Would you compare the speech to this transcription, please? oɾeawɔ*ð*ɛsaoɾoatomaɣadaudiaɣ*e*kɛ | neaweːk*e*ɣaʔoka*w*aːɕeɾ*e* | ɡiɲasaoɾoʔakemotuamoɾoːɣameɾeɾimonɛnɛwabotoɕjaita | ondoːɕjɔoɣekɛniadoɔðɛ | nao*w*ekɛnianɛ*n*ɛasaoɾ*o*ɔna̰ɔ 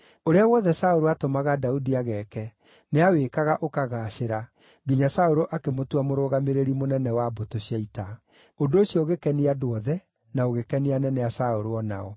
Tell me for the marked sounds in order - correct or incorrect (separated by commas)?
correct, incorrect, incorrect, incorrect, incorrect, incorrect, correct, correct